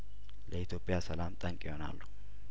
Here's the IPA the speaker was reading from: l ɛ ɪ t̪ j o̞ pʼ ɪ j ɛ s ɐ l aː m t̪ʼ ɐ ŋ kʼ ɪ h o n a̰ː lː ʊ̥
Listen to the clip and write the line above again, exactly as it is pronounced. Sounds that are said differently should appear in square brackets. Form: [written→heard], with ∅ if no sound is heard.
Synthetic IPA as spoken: l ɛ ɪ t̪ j o̞ pʼ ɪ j [ɛ→a] s ɐ l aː m t̪ʼ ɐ ŋ kʼ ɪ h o n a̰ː lː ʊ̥